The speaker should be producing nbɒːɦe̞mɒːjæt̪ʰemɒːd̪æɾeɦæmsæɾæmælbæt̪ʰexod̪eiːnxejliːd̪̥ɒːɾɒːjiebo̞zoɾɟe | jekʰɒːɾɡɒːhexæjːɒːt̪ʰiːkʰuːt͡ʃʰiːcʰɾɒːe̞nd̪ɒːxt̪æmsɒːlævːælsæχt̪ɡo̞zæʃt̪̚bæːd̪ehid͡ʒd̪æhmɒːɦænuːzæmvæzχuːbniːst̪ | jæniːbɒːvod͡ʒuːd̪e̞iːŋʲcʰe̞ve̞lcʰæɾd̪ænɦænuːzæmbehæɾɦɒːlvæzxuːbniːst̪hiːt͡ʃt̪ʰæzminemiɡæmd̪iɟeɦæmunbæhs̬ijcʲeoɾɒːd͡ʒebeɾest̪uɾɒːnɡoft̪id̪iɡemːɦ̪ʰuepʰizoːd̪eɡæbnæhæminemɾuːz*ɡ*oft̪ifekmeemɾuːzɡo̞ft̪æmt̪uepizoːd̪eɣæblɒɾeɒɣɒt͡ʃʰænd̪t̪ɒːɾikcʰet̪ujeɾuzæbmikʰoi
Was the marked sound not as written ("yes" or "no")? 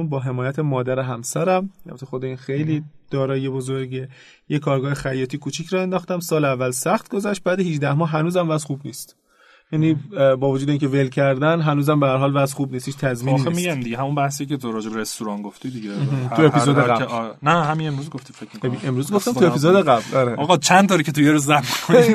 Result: no